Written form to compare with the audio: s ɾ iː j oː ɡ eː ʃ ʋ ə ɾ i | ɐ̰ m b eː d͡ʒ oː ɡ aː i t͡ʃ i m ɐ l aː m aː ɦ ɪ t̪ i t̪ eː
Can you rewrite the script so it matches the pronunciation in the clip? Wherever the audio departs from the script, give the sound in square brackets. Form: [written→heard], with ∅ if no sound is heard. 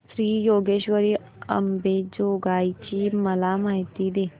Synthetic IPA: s ɾ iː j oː ɡ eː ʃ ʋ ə ɾ i | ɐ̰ m b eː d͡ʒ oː ɡ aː i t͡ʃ i m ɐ l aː m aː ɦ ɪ t̪ i [t̪→d̪] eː